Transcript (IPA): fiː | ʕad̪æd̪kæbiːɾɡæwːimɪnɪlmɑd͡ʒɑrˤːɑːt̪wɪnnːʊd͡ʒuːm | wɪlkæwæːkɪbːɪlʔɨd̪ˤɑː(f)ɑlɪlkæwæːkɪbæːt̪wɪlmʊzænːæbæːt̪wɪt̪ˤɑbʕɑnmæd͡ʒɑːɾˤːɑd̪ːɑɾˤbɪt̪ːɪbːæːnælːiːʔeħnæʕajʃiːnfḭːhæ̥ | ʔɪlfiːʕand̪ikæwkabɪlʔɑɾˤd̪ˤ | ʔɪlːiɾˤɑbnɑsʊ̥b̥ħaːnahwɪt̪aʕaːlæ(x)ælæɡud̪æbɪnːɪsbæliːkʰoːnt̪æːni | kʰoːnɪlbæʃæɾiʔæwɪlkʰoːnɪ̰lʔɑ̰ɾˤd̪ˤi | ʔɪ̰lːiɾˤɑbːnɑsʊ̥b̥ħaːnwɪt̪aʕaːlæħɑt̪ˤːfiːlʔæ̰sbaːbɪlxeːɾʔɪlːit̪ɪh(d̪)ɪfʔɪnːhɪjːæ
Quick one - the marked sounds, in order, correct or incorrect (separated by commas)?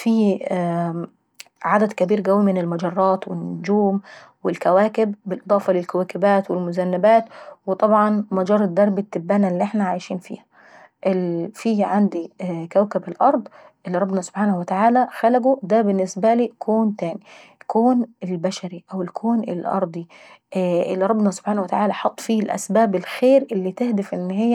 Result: correct, correct, correct